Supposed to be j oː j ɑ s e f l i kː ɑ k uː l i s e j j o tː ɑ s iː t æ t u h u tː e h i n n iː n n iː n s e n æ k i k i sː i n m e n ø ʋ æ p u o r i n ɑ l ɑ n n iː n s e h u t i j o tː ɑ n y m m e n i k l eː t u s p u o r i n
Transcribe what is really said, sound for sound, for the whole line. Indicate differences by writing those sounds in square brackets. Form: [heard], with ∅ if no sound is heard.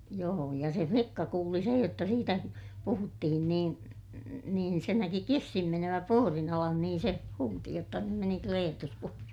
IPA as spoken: j oː j ɑ s e f l i kː ɑ k uː l i s e j j o tː ɑ s iː t æ [p] u h u tː [i] h i n n iː n n iː n s e n æ k i k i sː i n m e n ø ʋ æ p u o r i n ɑ l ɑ n n iː n s e h [uː] t i j o tː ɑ n y m m e n i k l eː t u s p u o r i n